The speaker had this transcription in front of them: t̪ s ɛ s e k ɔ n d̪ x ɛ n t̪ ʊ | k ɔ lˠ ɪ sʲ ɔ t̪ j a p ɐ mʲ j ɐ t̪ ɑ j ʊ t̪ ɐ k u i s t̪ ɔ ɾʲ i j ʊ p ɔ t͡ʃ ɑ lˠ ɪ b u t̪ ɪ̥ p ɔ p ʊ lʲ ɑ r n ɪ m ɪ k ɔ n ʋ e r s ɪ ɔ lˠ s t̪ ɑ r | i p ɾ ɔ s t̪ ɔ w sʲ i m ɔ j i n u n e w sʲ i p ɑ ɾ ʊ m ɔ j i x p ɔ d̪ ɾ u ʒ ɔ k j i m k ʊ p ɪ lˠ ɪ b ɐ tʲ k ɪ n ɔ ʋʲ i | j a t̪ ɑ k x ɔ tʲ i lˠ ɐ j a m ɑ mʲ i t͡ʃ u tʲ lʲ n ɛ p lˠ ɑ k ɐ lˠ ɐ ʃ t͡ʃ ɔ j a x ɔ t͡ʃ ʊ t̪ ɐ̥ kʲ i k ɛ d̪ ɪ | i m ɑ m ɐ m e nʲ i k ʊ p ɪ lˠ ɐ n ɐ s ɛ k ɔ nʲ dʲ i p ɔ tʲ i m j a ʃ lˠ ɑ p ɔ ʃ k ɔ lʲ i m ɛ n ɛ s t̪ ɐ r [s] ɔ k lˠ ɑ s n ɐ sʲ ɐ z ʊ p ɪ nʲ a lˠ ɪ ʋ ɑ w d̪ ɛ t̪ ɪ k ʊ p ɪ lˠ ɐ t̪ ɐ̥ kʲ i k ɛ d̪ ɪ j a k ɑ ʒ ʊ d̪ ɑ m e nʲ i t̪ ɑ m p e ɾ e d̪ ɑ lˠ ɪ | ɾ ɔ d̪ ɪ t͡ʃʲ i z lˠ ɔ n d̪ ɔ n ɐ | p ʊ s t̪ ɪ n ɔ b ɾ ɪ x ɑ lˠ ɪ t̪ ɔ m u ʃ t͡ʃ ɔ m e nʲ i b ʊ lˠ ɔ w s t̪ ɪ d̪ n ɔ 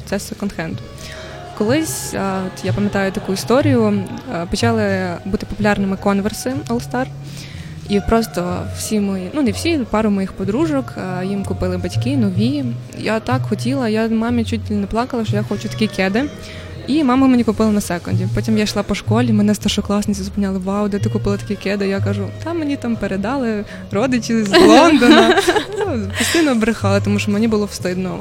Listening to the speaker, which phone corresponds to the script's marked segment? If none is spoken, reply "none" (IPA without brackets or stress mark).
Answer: ʃ